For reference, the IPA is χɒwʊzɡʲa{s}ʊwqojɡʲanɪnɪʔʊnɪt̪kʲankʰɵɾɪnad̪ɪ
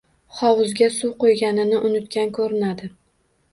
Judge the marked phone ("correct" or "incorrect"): correct